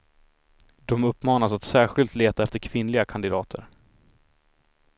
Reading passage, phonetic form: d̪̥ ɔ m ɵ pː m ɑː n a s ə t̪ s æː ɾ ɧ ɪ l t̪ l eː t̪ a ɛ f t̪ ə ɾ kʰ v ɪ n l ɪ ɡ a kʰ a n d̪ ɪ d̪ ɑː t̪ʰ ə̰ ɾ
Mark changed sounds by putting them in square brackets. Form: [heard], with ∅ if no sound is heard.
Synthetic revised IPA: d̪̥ ɔ m ɵ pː m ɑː n a s [a] t̪ s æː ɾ ɧ ɪ l t̪ l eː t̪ a ɛ f t̪ ə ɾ kʰ v ɪ n l ɪ ɡ a kʰ a n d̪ ɪ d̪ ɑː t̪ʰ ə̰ ɾ